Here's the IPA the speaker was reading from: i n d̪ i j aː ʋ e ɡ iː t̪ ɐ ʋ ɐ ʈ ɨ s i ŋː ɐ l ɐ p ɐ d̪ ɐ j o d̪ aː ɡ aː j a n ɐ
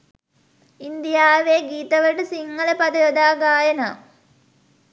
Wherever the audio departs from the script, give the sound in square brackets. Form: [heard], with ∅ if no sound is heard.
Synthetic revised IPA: i n d̪ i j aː ʋ e ɡ iː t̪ ɐ ʋ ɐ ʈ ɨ s i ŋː ɐ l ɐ p ɐ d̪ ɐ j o d̪ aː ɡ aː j [ɐ] n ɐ

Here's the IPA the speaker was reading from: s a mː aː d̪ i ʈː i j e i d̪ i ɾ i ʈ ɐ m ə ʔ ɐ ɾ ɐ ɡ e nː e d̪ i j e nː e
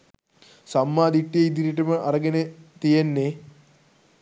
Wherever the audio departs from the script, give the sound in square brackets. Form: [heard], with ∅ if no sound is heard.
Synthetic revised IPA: s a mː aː d̪ i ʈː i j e i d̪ i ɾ i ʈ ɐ m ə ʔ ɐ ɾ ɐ ɡ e [n] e [t̪] i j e nː e

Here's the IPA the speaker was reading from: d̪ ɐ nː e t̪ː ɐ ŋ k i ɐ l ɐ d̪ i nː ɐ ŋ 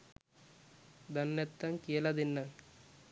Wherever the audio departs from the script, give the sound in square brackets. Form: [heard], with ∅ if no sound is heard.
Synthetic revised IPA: d̪ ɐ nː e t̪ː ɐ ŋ k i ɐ l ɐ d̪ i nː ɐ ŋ

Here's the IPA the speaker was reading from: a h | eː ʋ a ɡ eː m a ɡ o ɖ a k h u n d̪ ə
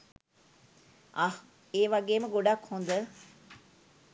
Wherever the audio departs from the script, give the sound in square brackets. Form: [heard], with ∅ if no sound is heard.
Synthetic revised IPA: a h | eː ʋ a ɡ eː m [ə] ɡ o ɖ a k h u n d̪ ə

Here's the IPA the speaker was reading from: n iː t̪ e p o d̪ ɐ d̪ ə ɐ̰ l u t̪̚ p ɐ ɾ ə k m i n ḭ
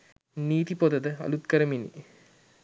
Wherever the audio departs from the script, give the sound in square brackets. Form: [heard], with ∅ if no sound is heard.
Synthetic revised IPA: n iː t̪ [i] p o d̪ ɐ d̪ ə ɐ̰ l u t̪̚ [k] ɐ ɾ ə [∅] m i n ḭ

